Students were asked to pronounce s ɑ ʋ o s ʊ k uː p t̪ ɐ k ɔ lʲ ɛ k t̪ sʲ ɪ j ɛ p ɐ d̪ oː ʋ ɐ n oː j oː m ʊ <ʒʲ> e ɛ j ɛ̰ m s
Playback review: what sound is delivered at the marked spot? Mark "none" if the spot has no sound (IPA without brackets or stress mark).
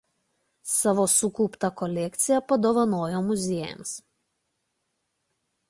zʲ